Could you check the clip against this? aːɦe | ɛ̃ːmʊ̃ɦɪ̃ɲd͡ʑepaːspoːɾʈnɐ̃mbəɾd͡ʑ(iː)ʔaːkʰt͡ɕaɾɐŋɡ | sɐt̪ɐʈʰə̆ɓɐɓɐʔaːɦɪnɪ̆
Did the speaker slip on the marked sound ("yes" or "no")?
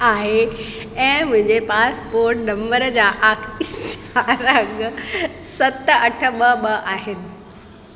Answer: yes